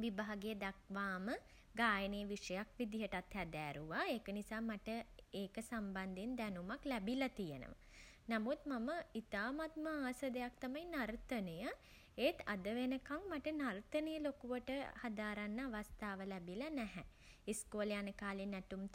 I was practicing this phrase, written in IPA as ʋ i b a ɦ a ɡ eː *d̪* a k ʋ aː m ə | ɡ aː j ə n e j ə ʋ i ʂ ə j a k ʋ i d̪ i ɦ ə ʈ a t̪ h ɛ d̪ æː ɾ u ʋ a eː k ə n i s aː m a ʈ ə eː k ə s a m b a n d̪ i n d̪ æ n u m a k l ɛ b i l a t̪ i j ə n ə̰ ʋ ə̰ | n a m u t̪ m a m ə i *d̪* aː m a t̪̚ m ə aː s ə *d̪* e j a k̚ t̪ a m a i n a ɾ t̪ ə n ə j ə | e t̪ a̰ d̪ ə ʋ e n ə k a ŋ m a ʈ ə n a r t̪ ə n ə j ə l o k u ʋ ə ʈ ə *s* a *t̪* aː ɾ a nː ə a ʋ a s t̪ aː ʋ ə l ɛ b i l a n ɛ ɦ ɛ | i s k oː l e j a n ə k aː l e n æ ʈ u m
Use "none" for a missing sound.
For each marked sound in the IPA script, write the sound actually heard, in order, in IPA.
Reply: d̪, t̪, d̪, h, d̪

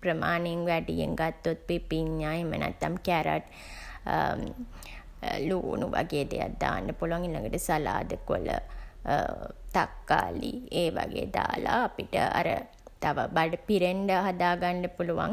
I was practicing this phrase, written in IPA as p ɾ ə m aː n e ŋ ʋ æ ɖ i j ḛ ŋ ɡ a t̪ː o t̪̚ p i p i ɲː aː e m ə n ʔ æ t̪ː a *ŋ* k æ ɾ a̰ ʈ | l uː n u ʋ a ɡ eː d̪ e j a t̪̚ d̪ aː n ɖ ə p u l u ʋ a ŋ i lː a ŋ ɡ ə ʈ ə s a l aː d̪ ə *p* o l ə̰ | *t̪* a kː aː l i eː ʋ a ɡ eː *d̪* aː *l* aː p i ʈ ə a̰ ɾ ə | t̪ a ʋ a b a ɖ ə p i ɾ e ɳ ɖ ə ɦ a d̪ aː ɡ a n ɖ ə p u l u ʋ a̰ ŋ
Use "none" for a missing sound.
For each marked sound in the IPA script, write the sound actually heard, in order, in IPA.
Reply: m, k, t̪, d̪, l

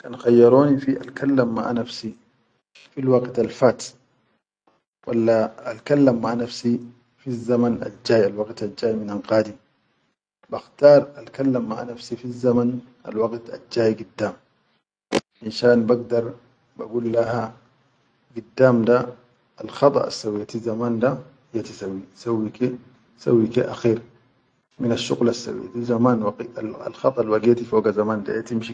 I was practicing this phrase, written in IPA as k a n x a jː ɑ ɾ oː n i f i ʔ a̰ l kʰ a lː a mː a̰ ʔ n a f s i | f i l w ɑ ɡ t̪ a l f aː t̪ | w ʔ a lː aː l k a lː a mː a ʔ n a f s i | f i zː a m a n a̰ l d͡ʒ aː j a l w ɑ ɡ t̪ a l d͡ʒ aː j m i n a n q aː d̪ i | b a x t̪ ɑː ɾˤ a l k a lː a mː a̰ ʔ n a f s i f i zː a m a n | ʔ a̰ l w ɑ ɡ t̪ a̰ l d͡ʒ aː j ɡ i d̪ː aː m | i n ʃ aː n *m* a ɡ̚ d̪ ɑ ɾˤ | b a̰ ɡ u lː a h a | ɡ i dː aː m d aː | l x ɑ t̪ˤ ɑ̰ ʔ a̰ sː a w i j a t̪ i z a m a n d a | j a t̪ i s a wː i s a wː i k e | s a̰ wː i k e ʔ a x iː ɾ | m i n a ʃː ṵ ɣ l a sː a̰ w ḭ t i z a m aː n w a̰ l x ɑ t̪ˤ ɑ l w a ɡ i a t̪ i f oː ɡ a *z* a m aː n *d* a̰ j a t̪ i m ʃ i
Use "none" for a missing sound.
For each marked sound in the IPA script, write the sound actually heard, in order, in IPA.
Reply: b, z, d

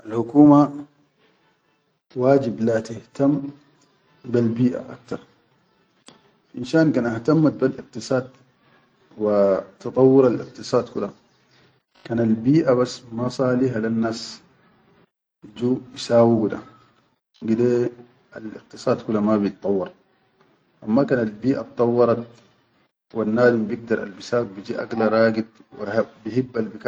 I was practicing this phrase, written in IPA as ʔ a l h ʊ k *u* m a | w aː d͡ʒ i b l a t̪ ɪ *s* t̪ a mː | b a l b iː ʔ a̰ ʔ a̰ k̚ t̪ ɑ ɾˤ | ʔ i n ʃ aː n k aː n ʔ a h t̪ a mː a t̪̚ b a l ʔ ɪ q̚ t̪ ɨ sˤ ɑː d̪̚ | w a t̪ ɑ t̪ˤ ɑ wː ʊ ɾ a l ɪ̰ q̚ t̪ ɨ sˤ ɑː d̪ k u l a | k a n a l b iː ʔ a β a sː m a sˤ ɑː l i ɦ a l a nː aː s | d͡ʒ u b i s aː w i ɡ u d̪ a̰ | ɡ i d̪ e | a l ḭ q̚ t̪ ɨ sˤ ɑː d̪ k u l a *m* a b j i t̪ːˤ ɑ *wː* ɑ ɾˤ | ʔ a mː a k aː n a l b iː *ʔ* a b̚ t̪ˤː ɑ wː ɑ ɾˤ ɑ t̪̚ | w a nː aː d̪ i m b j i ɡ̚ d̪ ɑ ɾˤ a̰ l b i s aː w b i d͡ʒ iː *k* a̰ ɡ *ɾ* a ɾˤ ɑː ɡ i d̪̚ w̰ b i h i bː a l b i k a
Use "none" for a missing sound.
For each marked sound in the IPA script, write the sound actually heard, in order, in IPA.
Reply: uː, h, m, wː, ʔ, ʔ, l

